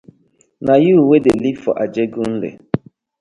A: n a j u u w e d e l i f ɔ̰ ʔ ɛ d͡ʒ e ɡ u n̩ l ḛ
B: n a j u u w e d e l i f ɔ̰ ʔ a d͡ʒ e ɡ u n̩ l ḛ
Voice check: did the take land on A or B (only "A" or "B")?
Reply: B